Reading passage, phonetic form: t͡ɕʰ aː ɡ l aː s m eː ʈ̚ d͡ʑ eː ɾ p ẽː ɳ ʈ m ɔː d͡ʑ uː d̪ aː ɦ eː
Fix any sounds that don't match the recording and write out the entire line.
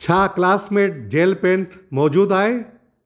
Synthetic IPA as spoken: t͡ɕʰ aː k l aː s m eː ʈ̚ d͡ʑ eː l p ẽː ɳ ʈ m ɔː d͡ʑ uː d̪ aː ɦ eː